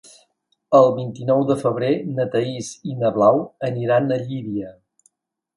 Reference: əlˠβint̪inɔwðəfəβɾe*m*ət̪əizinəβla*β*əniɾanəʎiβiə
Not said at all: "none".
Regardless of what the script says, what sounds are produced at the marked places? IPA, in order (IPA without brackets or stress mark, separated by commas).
n, w